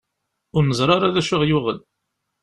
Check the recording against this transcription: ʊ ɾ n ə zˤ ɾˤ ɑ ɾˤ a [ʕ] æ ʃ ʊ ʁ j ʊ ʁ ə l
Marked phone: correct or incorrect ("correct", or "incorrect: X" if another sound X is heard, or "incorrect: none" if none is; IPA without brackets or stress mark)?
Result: incorrect: ð